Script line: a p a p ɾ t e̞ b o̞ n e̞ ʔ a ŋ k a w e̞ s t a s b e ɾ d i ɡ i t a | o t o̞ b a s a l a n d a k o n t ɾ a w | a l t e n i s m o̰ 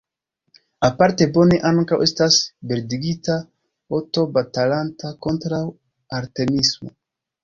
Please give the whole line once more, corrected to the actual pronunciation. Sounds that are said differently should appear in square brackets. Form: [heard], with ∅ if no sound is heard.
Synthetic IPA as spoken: a p a [∅] ɾ t e̞ b o̞ n e̞ ʔ a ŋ k a w e̞ s t a s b e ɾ d i ɡ i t a | o t o̞ b a [t] a l a n [t] a k o n t ɾ a w | a [ɾ] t e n i s m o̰